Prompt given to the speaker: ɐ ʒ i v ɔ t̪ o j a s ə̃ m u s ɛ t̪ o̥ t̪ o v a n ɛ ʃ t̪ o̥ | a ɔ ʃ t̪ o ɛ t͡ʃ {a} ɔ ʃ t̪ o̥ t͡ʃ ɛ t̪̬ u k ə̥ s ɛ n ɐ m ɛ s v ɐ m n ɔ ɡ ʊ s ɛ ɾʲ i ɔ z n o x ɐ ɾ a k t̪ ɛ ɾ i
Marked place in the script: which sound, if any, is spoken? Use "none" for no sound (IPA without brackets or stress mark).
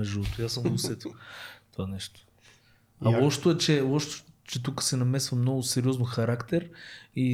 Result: ɛ